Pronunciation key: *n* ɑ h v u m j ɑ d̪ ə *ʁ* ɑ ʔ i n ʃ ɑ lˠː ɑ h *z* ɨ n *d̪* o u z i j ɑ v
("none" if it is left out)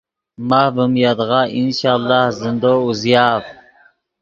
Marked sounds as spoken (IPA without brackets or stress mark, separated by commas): m, ʁ, z, d̪